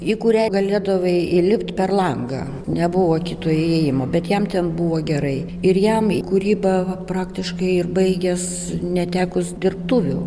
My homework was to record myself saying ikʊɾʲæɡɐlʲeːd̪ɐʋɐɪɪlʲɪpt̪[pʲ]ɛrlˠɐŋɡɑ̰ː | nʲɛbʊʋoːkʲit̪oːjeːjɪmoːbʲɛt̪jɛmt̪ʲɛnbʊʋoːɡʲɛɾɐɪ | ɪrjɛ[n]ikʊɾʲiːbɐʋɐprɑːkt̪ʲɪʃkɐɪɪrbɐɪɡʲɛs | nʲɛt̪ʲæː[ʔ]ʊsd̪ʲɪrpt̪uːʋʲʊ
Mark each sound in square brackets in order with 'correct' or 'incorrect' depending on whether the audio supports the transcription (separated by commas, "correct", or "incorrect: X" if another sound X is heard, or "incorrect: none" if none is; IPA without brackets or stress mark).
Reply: correct, incorrect: m, incorrect: k